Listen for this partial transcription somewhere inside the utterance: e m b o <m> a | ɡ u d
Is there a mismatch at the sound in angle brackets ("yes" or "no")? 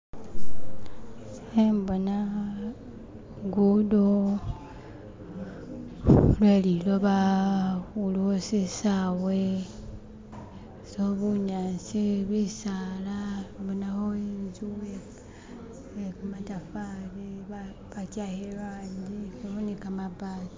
yes